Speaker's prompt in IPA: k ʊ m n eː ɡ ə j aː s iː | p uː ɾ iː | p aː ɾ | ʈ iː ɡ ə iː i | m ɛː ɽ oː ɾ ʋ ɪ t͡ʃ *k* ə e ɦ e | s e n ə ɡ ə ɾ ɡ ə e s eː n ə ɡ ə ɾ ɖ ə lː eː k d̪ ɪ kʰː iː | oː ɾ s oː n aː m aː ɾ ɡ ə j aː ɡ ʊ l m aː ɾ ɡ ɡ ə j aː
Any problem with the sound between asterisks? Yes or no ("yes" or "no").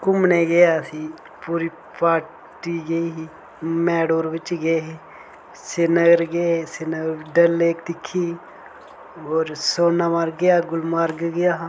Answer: yes